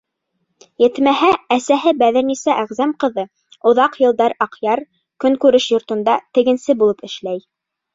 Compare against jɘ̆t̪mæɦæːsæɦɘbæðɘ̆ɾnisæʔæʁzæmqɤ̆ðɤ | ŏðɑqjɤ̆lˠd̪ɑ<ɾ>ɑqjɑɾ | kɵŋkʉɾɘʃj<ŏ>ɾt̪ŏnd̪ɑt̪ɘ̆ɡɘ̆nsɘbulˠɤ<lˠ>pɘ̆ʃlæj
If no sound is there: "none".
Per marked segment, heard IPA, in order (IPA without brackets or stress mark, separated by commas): ɾ, ŏ, none